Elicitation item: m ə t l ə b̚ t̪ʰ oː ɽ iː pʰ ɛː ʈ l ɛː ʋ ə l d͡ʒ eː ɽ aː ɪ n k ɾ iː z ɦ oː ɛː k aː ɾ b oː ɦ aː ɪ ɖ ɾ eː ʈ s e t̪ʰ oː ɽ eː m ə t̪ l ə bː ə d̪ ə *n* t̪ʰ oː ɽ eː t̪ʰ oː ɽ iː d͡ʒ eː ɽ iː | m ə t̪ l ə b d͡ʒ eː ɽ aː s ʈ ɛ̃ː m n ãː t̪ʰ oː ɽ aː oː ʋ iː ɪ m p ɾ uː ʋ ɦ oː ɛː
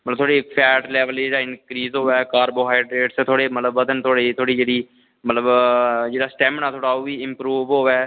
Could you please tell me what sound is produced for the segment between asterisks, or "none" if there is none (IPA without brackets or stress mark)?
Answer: n